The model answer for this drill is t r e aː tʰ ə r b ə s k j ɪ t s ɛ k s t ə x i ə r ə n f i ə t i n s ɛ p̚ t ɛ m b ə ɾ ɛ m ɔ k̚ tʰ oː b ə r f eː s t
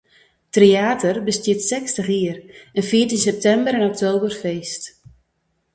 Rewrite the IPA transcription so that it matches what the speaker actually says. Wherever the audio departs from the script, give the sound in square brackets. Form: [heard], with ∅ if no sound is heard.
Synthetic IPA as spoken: t r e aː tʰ ə r b ə s [t] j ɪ t s ɛ k s t ə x i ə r ə n f i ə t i n s ɛ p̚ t ɛ m b ə ɾ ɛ [n] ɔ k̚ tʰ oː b ə r f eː s t